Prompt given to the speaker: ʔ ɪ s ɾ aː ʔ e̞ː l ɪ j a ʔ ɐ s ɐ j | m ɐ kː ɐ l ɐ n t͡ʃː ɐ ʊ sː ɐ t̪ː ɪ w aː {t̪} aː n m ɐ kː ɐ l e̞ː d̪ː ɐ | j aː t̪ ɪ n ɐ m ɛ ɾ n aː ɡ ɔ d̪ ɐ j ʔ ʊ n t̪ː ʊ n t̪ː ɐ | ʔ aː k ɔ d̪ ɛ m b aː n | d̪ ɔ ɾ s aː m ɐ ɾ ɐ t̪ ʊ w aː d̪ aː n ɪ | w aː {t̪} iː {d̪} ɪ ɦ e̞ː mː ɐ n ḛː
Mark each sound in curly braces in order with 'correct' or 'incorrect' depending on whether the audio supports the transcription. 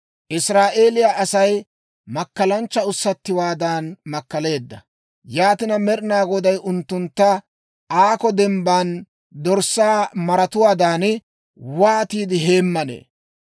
incorrect: d̪, correct, correct

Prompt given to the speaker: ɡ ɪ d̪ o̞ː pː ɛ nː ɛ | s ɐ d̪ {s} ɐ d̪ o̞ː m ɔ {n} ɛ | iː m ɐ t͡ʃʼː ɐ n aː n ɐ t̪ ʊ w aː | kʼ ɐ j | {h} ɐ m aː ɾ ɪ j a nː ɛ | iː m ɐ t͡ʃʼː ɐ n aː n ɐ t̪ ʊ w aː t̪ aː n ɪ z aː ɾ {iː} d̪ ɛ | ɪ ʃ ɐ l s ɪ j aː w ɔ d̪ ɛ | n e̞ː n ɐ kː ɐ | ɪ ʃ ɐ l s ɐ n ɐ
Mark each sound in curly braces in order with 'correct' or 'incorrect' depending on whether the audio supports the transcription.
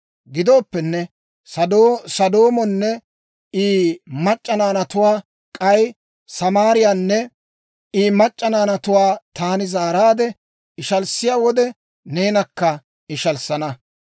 correct, incorrect: nː, incorrect: s, incorrect: aː

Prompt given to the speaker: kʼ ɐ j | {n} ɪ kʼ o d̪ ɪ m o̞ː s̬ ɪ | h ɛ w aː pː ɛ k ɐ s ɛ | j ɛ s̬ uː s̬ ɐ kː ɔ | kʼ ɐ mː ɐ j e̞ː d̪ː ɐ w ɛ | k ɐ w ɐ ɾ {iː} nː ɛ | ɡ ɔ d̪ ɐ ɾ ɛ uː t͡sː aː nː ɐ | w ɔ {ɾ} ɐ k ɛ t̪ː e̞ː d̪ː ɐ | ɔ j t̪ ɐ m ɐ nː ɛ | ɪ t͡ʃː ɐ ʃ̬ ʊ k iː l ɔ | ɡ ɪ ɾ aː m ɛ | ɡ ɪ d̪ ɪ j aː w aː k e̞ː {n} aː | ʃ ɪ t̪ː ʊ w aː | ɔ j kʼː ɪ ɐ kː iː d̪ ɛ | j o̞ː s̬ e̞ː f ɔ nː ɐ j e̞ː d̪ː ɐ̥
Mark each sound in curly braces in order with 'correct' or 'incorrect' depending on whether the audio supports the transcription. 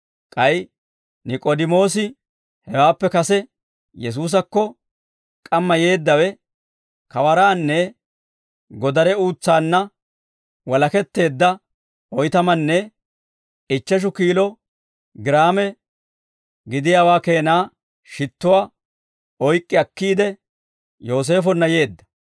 correct, incorrect: aː, incorrect: l, correct

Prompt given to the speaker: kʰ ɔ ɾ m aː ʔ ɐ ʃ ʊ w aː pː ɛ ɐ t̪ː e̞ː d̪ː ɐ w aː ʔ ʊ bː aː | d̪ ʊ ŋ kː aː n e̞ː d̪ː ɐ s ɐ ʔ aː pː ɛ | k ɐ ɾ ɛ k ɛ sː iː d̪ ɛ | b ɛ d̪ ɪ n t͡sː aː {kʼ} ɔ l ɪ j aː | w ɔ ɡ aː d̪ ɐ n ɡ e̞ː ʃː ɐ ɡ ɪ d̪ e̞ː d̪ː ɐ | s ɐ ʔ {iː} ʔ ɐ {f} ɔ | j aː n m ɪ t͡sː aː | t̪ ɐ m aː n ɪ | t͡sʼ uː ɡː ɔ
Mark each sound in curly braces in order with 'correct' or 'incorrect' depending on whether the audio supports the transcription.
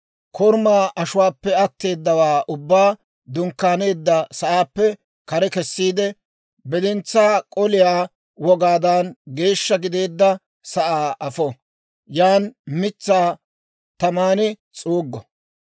correct, incorrect: aː, correct

